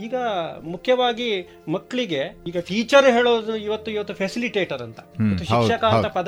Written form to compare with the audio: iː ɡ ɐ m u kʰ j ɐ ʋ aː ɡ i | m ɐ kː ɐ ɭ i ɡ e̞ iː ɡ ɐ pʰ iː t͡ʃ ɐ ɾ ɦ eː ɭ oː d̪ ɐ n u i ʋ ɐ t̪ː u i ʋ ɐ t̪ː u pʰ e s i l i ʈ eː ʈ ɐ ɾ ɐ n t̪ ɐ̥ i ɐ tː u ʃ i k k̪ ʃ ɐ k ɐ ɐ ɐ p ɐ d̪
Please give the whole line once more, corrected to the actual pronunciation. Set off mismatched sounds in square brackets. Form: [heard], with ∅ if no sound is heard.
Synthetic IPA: iː ɡ ɐ m u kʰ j ɐ ʋ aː ɡ i | m ɐ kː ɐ ɭ i ɡ e̞ iː ɡ ɐ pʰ iː t͡ʃ ɐ ɾ ɦ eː ɭ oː d̪ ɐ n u i ʋ ɐ t̪ː u i ʋ ɐ t̪ː u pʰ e s i l i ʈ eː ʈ ɐ ɾ ɐ n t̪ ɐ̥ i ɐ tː u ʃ i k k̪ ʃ ɐ k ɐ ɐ ɐ p ɐ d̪